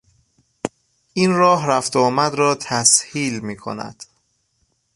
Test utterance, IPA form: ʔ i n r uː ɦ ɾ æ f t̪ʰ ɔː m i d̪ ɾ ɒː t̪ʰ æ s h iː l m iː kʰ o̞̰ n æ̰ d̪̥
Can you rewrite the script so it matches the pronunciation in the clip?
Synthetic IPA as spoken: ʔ i n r ɒː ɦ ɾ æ f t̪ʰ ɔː m æ d̪ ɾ ɒː t̪ʰ æ s h iː l m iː kʰ o̞̰ n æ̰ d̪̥